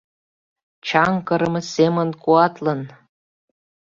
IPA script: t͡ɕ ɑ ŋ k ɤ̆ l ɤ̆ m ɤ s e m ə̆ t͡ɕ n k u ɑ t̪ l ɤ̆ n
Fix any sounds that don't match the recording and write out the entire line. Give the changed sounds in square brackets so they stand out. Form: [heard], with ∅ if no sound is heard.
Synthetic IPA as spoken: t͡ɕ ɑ ŋ k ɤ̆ [ɾ] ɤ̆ m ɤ s e m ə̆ [∅] n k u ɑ t̪ l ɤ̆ n